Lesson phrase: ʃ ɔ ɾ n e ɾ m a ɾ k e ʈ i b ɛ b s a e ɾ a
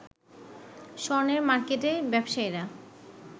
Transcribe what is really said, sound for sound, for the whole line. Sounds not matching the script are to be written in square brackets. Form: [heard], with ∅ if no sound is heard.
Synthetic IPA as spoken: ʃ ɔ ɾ n e ɾ m a ɾ k e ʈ [e] b ɛ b [ʃ] a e ɾ a